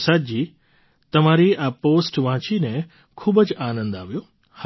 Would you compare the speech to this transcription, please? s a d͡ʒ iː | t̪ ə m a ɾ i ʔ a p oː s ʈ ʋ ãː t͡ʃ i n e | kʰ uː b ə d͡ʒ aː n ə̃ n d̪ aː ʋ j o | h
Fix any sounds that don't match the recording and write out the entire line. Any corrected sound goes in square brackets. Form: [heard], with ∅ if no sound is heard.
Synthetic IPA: s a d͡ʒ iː | t̪ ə m a ɾ i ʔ a p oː s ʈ ʋ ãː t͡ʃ i n e | kʰ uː b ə d͡ʒ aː n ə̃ n d̪ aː ʋ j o | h